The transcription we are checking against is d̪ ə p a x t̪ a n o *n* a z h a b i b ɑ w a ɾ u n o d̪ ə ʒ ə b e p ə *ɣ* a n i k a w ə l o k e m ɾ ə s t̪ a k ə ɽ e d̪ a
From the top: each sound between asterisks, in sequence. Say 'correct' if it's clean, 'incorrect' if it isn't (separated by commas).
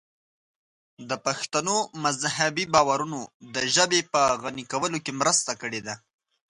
incorrect, correct